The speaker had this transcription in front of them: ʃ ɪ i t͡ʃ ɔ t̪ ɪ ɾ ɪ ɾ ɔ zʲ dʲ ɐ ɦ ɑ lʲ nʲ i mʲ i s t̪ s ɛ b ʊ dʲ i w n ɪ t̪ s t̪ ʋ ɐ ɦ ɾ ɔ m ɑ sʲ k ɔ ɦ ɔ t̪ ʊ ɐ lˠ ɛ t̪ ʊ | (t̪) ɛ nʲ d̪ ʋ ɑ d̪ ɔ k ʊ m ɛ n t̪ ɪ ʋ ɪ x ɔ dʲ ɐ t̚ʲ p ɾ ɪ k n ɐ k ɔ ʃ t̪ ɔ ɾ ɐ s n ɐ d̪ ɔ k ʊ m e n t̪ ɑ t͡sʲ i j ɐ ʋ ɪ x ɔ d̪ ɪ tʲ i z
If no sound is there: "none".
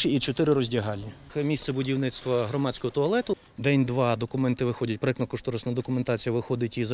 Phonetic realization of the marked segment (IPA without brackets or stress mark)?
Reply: d̪